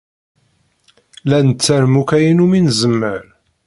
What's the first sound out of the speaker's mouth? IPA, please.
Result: l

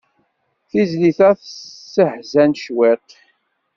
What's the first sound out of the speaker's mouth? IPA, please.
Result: θ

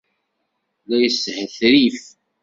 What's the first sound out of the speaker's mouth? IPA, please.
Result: l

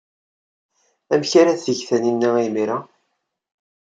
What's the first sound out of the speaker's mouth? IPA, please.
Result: æ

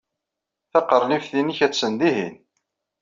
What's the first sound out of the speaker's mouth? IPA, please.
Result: θ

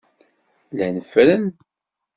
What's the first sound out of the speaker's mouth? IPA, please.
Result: l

